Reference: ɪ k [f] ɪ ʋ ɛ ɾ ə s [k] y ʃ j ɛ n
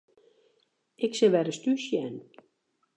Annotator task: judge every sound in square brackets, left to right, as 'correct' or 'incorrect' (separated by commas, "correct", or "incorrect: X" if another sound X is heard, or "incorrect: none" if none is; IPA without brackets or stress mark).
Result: incorrect: s, incorrect: t